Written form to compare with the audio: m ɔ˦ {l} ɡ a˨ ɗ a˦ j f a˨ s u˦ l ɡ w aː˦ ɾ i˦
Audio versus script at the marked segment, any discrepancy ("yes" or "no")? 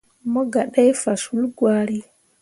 yes